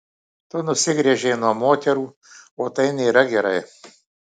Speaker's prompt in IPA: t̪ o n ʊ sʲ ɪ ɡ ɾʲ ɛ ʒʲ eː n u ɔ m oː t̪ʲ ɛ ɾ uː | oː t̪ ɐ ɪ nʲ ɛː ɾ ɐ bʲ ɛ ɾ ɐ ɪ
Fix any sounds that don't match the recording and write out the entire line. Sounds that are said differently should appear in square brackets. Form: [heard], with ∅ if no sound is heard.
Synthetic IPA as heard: t̪ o n ʊ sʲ ɪ ɡ ɾʲ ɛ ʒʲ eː n u ɔ m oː t̪ʲ ɛ ɾ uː | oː t̪ ɐ ɪ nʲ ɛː ɾ ɐ [ɡʲ] ɛ ɾ ɐ ɪ